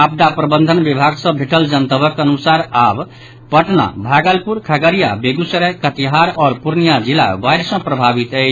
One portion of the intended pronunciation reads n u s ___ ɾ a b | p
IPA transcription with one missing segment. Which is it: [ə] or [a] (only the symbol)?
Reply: a